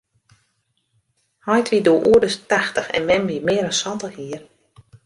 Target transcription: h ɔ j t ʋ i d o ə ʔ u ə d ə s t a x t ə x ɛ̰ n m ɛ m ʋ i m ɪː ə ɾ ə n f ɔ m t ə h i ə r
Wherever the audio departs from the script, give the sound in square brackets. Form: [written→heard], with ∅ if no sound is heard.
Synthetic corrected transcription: h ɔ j t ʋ i d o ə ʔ u ə d ə s t a x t ə x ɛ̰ n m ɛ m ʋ i m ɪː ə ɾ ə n [f→s] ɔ [m→n] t ə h i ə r